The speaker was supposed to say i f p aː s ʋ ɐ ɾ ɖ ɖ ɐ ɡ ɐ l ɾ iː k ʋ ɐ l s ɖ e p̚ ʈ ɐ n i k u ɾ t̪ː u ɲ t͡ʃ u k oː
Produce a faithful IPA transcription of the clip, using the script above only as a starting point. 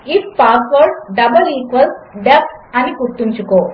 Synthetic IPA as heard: i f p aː s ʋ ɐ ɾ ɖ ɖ ɐ b ɐ l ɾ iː k ʋ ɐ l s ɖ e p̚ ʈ ɐ n i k u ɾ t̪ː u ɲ t͡ʃ u k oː